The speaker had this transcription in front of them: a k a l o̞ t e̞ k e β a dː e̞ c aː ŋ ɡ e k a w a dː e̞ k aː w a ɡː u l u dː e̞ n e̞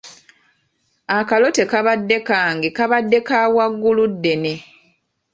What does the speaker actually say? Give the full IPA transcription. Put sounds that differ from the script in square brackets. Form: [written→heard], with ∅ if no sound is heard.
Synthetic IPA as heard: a k a l o̞ t e̞ k [e→a] β a dː e̞ [c→k] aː ŋ ɡ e k a [w→β] a dː e̞ k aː w a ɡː u l u dː e̞ n e̞